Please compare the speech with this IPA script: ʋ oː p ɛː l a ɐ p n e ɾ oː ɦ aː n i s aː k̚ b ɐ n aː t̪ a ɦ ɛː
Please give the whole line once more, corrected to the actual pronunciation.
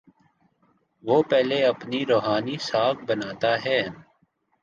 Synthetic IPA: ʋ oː p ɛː l e ɐ p n i ɾ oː ɦ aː n i s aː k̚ b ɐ n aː t̪ a ɦ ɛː